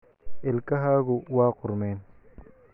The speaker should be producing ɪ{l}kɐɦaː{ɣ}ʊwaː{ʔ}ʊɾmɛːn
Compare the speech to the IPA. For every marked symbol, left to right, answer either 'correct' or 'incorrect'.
correct, correct, incorrect: q

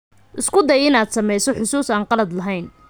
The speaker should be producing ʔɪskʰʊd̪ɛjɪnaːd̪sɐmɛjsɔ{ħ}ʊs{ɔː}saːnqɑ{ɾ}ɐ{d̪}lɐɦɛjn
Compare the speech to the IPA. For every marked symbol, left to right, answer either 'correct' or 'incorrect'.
correct, incorrect: uː, incorrect: l, correct

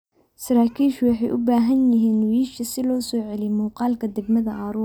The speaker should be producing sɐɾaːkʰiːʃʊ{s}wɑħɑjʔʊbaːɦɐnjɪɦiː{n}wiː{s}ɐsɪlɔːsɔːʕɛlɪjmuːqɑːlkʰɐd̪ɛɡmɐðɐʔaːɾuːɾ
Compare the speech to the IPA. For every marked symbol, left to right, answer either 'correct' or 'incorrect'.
incorrect: none, correct, incorrect: ʃ

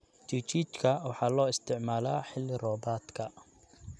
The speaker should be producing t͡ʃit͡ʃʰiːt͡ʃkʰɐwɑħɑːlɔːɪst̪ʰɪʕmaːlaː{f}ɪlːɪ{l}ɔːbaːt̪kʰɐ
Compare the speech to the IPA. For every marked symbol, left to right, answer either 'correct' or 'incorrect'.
incorrect: ħ, incorrect: r

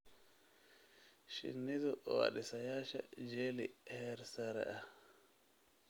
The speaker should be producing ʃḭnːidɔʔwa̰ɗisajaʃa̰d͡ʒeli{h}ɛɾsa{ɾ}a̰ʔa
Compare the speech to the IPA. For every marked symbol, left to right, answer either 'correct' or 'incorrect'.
correct, correct

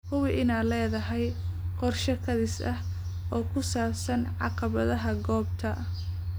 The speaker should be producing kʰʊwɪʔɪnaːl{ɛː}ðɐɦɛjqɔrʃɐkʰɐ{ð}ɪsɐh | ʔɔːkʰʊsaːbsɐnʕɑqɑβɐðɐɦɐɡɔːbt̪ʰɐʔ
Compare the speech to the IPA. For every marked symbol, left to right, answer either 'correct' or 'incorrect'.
correct, correct

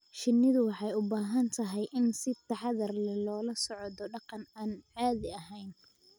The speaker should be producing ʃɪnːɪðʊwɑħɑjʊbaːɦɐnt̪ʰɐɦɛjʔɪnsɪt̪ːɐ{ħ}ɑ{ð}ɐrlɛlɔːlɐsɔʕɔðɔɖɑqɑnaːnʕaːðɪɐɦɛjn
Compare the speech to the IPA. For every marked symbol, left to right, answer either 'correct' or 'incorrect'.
correct, correct

